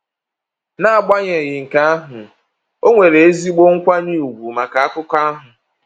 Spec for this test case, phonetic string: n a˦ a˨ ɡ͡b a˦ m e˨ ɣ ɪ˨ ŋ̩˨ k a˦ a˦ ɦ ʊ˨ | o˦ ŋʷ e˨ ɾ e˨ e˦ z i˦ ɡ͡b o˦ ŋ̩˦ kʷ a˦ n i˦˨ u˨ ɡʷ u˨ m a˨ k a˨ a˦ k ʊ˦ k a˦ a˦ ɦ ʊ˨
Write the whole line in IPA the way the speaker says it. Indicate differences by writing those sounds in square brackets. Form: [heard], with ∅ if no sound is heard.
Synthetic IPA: n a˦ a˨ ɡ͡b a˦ [ɲ] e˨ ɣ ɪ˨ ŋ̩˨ k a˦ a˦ ɦ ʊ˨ | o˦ ŋʷ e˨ ɾ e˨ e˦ z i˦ ɡ͡b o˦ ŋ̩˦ kʷ a˦ n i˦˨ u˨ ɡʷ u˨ m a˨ k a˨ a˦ k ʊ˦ k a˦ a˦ ɦ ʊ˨